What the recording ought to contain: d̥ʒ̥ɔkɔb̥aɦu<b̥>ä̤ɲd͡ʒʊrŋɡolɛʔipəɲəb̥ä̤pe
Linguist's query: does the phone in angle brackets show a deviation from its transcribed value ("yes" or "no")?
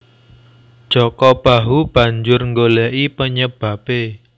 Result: no